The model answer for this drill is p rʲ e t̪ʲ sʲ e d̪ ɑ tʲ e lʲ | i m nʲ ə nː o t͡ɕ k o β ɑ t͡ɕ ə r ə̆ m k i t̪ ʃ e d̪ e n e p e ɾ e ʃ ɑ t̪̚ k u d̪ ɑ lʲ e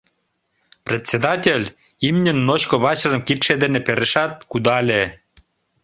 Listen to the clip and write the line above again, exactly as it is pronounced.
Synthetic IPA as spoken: p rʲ e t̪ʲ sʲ e d̪ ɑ tʲ e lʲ | i m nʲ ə nː o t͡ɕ k o β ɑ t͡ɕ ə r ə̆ m k i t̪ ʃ e d̪ e n e p e ɾ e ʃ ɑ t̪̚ k u d̪ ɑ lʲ e